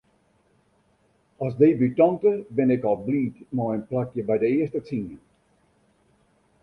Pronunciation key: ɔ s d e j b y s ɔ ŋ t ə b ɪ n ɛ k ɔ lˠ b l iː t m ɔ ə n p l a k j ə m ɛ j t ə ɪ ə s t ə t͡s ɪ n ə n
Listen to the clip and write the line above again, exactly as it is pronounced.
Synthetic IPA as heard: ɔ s d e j b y t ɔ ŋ t ə b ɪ n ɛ k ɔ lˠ b l iː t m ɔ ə n p l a k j ə b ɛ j d ə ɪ ə s t ə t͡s i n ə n